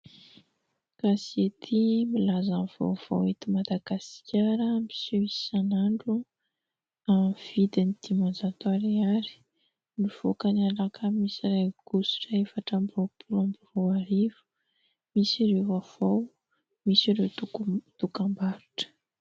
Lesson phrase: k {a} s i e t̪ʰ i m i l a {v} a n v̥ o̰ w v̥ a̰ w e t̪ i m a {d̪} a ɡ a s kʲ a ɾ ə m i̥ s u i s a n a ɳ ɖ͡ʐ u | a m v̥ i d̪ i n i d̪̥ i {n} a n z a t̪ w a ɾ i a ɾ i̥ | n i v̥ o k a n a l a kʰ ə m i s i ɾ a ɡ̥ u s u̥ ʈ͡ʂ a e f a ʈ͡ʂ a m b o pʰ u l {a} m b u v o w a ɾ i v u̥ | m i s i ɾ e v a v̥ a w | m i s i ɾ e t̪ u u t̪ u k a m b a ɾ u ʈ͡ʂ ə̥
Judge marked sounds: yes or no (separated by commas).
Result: yes, no, yes, no, yes